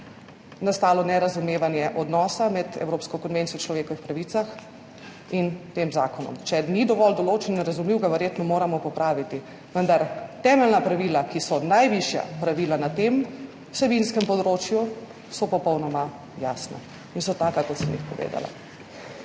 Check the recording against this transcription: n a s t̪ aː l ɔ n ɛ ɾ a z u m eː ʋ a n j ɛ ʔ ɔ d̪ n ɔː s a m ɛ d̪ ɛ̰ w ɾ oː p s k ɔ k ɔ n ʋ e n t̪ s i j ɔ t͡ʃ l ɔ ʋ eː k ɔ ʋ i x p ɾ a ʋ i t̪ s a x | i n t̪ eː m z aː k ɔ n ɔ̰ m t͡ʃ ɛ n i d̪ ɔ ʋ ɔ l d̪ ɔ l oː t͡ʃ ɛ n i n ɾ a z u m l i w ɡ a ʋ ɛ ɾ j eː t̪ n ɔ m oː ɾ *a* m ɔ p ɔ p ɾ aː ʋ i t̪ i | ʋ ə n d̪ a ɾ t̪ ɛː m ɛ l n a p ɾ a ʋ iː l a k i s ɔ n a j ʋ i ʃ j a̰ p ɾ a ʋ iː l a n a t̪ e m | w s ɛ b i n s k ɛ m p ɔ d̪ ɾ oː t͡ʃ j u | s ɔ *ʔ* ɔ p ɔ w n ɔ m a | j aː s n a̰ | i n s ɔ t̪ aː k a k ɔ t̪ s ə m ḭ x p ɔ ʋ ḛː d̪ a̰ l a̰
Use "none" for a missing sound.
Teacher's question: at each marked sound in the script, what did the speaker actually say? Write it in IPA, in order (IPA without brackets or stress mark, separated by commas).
a, p